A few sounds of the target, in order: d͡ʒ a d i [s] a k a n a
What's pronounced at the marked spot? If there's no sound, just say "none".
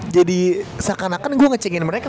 s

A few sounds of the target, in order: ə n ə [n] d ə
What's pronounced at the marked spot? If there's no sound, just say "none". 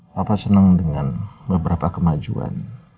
ŋ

